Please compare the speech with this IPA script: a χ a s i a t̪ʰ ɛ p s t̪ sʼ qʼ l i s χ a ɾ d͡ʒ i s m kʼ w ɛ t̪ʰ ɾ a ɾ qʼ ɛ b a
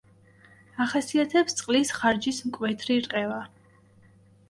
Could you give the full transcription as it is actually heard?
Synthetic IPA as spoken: a χ a s i a t̪ʰ ɛ p s t̪ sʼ qʼ l i s χ a ɾ d͡ʒ i s m kʼ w ɛ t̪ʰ ɾ i ɾ qʼ ɛ v a